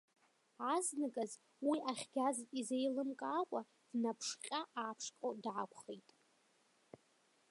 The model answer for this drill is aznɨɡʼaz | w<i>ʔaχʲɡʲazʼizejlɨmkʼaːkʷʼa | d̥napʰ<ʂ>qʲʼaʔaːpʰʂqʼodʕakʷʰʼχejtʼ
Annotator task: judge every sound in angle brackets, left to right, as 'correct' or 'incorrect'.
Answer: correct, correct

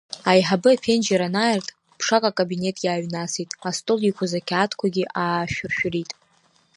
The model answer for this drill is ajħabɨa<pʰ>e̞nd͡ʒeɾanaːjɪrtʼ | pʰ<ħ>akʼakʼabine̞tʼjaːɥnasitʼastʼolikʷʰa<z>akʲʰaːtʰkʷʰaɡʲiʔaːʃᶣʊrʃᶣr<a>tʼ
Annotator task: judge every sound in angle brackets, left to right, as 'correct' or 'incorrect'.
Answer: correct, incorrect, correct, incorrect

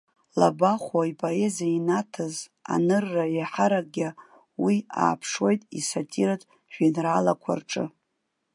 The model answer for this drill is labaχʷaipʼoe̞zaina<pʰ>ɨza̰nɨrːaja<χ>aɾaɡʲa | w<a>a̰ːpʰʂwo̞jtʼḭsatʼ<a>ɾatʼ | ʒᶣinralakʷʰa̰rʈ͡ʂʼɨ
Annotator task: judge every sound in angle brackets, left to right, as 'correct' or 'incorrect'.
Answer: incorrect, incorrect, incorrect, incorrect

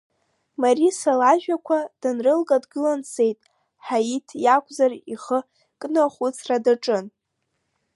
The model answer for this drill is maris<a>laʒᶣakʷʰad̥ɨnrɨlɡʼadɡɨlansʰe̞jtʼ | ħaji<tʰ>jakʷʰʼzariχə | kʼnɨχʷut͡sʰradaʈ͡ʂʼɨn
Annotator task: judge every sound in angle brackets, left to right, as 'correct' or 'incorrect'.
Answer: correct, correct

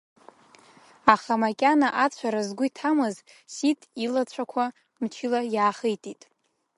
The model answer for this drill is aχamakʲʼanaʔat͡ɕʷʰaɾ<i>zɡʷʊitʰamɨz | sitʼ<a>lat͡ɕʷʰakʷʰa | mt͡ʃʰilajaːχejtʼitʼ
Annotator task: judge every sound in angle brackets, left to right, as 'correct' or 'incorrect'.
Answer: incorrect, incorrect

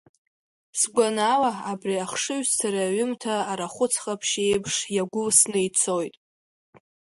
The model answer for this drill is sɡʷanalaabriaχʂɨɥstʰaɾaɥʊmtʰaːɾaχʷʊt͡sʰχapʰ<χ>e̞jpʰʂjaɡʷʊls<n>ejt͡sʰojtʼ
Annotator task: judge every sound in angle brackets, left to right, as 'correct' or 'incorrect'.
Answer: incorrect, correct

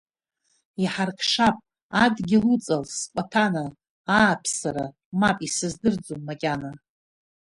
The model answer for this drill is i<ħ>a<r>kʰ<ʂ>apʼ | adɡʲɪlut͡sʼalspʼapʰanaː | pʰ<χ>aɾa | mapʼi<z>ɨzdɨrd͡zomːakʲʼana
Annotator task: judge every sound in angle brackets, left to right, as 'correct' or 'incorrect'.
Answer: correct, correct, correct, incorrect, incorrect

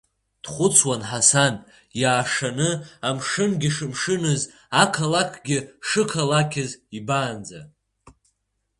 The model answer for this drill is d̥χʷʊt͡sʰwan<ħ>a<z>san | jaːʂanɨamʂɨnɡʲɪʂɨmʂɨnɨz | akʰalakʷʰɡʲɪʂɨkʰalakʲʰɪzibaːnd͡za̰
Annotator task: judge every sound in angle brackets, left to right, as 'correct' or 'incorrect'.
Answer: correct, incorrect

